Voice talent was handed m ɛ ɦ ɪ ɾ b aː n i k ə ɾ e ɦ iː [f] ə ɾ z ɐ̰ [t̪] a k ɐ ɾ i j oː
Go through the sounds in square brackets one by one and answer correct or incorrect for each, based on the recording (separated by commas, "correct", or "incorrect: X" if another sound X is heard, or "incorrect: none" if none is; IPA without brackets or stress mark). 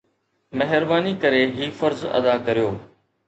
correct, incorrect: d̪